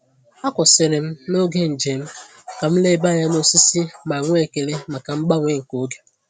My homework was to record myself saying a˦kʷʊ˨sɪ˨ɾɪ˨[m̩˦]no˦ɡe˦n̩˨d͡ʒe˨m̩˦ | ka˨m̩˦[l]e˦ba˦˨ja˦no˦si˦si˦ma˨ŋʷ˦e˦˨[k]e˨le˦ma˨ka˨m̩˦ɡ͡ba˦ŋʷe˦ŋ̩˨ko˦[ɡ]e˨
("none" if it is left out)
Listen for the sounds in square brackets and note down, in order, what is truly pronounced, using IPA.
m̩˦, l, k, ɡ

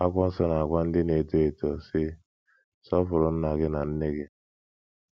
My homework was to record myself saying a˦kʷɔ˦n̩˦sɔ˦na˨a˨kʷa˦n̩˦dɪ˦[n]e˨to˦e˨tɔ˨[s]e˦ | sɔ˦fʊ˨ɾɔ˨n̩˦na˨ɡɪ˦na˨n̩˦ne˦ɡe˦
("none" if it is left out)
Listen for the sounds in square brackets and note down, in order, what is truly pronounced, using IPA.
n, s

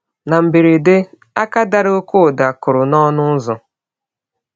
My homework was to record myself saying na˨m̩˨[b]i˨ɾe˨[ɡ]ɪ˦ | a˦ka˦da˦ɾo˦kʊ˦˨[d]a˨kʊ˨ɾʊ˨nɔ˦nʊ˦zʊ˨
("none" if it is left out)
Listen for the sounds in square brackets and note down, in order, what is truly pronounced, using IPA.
b, d, d

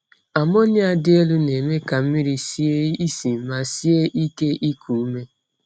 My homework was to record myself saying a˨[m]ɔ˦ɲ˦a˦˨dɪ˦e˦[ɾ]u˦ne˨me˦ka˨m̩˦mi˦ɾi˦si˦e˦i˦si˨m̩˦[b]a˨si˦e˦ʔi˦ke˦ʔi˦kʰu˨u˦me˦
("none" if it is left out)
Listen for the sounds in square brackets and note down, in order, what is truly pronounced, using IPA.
m, l, m

